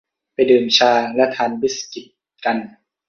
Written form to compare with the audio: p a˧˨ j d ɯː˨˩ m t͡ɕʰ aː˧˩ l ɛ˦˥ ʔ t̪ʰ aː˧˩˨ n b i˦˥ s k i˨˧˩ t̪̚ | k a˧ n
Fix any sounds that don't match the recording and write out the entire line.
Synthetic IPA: p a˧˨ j d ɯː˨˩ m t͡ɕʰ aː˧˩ l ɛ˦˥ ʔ t̪ʰ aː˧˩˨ n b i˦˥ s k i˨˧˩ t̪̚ | k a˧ n